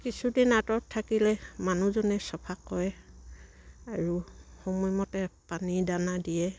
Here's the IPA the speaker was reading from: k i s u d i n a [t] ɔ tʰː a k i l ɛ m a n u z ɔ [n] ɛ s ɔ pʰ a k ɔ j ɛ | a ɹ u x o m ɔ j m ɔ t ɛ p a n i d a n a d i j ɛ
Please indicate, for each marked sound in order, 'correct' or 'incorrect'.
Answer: correct, correct

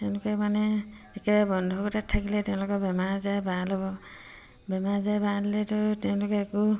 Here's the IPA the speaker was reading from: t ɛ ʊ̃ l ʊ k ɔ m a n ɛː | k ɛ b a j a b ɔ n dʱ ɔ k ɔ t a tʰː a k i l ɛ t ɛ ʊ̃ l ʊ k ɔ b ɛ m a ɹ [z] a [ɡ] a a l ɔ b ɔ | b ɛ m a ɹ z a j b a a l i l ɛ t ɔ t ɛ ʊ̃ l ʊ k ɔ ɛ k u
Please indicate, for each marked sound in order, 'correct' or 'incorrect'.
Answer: correct, incorrect

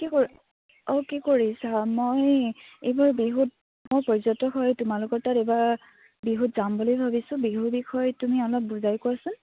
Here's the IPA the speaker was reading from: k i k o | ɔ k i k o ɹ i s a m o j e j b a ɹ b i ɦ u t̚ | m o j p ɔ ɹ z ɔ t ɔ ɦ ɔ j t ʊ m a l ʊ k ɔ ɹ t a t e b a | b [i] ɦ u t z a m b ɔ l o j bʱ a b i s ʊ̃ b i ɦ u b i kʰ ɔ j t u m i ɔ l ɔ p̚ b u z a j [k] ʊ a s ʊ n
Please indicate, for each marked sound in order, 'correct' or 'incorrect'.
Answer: correct, correct

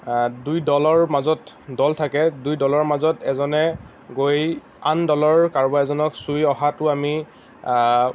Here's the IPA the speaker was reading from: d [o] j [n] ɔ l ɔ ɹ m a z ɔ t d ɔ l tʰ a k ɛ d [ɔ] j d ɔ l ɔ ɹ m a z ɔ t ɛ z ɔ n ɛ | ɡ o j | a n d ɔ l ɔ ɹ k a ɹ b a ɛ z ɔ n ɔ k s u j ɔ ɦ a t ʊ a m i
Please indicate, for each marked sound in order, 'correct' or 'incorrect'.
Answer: incorrect, incorrect, incorrect

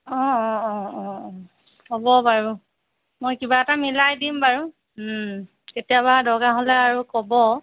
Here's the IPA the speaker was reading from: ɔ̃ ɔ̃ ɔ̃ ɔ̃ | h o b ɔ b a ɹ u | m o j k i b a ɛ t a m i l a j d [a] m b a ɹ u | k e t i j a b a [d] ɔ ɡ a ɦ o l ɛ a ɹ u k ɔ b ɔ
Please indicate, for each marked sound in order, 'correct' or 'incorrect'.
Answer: incorrect, correct

